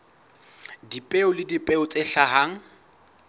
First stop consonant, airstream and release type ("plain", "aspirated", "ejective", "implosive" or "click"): plain